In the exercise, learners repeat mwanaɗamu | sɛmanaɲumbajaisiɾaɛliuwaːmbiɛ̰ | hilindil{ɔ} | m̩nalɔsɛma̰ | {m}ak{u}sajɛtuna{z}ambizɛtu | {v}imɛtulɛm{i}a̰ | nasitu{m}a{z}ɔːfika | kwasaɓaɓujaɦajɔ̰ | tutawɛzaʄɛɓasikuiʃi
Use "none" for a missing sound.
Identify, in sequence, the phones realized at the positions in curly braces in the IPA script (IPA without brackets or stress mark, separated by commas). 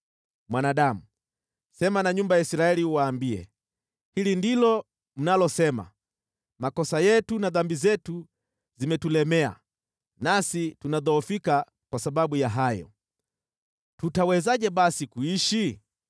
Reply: ɔ, m, ɔ, ð, z, ɛ, n, ð